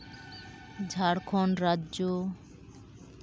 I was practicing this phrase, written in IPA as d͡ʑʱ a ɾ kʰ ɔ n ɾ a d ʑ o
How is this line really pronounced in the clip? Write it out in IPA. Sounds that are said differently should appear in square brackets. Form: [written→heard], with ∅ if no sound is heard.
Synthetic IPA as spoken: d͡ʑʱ a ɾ kʰ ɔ n ɾ a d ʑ o